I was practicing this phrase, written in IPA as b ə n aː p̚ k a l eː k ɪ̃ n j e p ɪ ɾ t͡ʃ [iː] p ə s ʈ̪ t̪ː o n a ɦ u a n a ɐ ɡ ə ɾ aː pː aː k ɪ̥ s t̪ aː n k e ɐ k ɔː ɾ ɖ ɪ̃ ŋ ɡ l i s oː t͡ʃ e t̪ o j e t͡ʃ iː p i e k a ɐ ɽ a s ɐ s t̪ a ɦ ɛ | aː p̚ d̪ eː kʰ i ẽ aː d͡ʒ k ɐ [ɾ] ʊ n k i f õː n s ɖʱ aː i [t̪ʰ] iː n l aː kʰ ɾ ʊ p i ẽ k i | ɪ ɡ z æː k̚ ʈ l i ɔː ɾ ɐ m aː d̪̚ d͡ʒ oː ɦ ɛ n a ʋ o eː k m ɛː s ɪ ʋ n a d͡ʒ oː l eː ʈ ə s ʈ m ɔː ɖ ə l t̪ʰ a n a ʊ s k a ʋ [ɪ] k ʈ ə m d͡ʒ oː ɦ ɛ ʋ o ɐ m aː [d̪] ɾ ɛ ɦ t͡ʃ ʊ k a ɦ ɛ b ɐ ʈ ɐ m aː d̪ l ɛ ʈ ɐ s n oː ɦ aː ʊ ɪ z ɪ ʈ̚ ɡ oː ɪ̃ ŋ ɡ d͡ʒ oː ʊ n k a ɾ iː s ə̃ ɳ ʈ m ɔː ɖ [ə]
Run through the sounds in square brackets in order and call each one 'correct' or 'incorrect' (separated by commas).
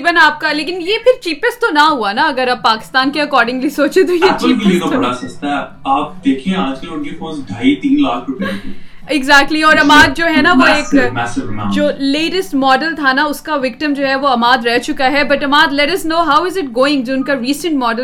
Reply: correct, incorrect, incorrect, correct, correct, correct